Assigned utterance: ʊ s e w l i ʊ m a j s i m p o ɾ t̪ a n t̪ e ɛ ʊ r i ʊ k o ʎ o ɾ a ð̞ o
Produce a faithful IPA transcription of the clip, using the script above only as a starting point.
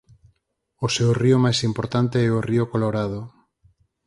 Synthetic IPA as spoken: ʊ s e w r i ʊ m a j s i m p o ɾ t̪ a n t̪ e ɛ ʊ r i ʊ k o l o ɾ a ð̞ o